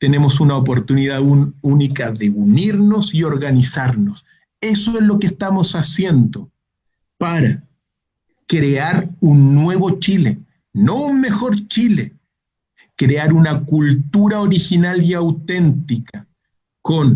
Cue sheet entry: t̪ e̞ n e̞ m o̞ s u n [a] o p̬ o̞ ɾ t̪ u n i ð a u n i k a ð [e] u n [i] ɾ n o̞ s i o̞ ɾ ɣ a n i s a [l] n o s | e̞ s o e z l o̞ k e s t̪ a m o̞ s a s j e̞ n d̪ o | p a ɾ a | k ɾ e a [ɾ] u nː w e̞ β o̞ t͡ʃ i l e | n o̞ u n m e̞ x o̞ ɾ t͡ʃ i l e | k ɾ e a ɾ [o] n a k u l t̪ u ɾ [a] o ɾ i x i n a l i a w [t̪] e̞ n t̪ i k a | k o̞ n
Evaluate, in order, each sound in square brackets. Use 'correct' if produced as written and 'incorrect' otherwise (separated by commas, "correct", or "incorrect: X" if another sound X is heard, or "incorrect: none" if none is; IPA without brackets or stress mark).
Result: correct, correct, correct, incorrect: ɾ, correct, incorrect: u, correct, correct